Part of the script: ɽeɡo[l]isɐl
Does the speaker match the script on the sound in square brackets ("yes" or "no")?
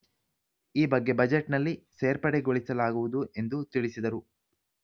no